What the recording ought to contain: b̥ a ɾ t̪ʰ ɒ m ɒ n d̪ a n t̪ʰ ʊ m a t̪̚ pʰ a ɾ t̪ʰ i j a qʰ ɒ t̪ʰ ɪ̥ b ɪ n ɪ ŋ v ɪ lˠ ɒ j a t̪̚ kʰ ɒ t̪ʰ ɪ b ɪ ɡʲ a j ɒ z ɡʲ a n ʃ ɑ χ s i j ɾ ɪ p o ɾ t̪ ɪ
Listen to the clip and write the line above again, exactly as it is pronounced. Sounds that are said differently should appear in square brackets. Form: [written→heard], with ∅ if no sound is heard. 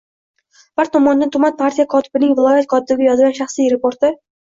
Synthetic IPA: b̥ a ɾ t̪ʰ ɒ m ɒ n d̪ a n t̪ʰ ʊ m a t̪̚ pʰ a ɾ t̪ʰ i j a [qʰ→kʰ] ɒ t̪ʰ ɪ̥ b ɪ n ɪ ŋ v ɪ lˠ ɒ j a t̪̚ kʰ ɒ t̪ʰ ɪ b ɪ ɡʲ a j ɒ z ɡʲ a n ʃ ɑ χ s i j ɾ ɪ p o ɾ t̪ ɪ